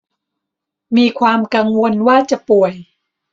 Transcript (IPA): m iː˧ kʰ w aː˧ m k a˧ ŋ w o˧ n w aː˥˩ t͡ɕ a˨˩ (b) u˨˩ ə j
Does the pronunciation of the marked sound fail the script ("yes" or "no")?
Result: yes